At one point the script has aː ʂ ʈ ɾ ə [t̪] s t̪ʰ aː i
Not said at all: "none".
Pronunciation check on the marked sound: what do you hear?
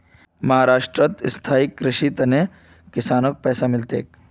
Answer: t̪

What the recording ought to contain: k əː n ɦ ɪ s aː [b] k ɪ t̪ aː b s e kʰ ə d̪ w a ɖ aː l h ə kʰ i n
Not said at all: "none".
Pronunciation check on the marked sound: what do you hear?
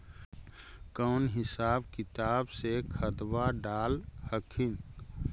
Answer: b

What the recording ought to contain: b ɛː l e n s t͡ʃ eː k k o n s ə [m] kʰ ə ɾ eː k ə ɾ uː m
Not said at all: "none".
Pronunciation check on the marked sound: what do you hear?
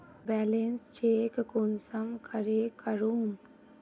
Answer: m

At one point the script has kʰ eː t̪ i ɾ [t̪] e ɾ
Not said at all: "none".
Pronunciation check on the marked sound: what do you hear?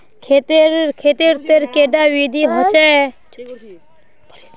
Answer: t̪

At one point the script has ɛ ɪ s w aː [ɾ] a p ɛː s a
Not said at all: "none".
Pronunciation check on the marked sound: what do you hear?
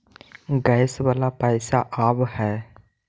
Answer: l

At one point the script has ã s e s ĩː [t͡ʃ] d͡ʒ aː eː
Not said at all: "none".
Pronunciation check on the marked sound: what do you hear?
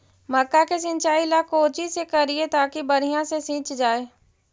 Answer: t͡ʃ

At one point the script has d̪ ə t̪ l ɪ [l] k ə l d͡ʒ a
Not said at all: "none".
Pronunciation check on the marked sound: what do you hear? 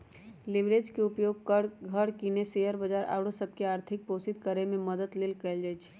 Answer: l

